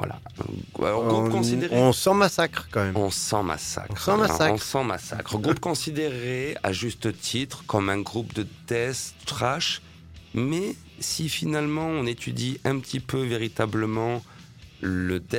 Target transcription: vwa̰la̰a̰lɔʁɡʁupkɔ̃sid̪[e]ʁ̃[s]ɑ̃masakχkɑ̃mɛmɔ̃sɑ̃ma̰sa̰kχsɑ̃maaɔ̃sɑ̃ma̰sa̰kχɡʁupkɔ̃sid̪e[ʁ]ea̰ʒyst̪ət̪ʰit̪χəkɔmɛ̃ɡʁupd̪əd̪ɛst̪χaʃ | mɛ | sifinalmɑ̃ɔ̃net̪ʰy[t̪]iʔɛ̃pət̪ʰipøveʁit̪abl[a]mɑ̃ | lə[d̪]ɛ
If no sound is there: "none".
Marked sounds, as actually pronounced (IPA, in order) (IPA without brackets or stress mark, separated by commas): e, s, ʁ, d̪, ə, d̪